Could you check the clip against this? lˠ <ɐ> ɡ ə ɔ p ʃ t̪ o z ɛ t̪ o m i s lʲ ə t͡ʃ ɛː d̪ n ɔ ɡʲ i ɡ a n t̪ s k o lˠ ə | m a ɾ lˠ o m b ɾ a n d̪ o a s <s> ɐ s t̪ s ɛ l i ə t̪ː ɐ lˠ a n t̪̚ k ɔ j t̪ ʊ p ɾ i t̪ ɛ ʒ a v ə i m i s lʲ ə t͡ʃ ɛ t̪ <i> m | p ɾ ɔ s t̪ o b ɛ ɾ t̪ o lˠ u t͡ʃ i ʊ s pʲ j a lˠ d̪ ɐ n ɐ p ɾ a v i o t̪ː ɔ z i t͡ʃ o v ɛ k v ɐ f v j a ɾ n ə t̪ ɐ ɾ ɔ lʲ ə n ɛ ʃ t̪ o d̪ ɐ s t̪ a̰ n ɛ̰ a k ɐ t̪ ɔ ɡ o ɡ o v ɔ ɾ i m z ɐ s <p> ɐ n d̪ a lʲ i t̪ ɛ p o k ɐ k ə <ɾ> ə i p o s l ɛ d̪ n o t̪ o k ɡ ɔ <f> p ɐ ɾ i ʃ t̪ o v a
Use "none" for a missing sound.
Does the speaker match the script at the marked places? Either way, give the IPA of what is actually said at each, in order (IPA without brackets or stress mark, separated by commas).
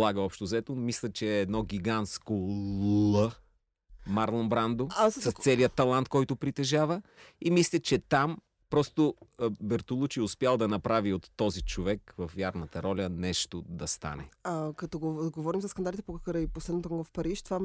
a, s, a, k, ɾ, f